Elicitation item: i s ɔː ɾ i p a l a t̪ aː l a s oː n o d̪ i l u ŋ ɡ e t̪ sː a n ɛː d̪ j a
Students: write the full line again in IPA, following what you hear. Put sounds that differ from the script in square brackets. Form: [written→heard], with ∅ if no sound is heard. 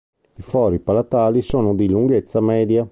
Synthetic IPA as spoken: i [s→f] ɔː ɾ i p a l a t̪ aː l [a→i] s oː n o d̪ i l u ŋ ɡ e t̪ sː a [n→m] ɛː d̪ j a